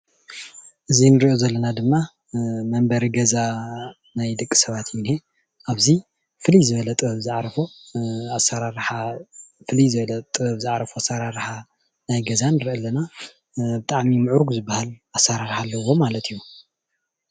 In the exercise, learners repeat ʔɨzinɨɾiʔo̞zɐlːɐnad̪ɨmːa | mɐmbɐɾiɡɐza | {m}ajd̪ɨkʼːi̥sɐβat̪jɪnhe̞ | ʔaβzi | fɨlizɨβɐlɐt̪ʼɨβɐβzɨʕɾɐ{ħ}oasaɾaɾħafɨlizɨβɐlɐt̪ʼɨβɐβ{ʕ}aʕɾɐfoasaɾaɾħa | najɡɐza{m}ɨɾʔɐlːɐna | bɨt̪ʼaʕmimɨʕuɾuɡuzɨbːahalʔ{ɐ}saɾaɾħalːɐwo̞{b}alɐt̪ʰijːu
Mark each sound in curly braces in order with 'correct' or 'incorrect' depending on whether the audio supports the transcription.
incorrect: n, incorrect: f, incorrect: z, incorrect: n, incorrect: a, incorrect: m

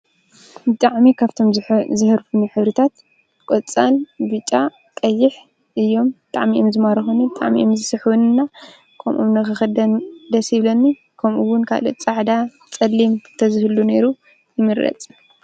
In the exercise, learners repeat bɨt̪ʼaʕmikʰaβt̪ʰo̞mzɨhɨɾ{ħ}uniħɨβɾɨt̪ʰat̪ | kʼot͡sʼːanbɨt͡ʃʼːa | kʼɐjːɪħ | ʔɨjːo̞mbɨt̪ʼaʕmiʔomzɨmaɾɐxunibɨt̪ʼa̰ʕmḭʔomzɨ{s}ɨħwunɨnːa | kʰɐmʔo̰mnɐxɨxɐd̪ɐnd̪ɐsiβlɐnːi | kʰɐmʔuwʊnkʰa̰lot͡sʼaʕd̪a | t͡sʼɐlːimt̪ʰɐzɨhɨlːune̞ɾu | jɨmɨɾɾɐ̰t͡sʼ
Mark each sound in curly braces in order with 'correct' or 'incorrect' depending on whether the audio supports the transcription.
incorrect: f, correct

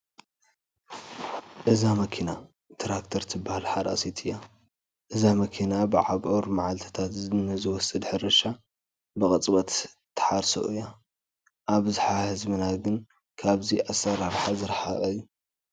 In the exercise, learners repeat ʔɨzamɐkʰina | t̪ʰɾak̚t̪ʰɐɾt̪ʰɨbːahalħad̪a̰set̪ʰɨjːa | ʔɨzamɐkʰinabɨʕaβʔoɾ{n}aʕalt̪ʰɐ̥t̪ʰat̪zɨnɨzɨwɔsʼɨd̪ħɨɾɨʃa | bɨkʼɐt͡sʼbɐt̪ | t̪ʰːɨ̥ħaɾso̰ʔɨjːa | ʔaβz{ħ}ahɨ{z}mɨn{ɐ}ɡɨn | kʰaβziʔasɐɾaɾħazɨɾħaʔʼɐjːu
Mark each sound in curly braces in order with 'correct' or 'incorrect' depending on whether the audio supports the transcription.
incorrect: m, correct, correct, incorrect: a

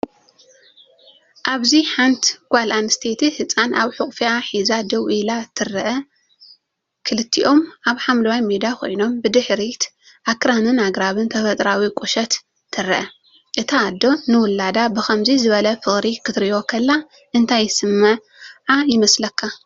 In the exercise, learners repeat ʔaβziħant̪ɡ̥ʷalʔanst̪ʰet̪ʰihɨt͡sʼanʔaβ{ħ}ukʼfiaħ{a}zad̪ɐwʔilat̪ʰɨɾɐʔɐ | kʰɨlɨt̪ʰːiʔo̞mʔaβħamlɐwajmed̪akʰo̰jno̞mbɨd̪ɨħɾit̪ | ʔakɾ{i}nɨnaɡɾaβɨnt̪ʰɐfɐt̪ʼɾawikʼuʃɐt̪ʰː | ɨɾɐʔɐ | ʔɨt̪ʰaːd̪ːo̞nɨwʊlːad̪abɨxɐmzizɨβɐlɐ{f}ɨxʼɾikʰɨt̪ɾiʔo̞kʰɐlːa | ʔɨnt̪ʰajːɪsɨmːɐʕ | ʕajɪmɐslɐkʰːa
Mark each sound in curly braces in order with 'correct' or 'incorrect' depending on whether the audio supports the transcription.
correct, incorrect: i, incorrect: a, correct

